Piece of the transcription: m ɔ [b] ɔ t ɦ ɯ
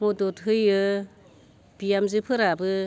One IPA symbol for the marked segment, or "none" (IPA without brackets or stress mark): d